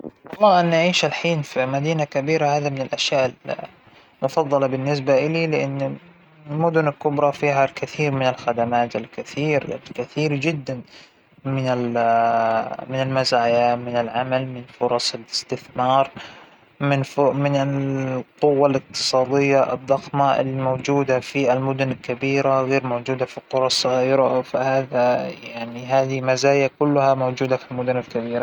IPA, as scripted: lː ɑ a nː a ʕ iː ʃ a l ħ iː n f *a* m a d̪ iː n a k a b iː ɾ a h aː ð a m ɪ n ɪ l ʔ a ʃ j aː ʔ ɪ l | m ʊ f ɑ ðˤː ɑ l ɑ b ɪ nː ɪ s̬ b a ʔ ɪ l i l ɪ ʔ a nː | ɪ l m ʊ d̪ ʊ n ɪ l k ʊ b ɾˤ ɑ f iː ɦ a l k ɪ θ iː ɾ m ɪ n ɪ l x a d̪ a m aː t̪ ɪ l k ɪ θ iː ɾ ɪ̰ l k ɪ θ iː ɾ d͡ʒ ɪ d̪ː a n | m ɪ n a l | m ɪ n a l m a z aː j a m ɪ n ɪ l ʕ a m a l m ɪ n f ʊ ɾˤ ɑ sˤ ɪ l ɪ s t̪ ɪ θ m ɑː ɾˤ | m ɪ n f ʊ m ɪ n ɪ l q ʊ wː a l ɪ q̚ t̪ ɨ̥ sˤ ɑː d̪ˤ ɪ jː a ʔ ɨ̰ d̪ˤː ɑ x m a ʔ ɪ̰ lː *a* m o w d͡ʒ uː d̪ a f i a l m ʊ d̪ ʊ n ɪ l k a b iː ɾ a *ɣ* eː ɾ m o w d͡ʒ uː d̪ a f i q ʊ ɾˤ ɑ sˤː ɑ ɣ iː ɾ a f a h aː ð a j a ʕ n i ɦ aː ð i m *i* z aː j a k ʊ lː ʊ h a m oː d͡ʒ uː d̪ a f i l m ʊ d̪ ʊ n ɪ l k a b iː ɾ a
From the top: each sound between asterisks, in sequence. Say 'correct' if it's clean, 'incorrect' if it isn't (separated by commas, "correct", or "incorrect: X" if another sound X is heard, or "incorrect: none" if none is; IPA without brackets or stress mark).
incorrect: i, incorrect: i, correct, incorrect: a